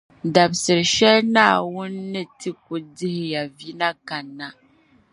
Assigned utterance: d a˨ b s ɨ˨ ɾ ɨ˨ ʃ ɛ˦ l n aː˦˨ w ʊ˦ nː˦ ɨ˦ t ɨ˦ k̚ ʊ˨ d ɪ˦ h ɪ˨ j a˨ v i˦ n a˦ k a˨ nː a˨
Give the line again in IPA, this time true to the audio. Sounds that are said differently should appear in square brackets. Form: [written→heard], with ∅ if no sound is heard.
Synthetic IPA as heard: d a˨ b s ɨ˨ ɾ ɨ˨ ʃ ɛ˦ l n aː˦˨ w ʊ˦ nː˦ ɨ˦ t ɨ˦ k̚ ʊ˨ d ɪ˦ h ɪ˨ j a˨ v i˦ n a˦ k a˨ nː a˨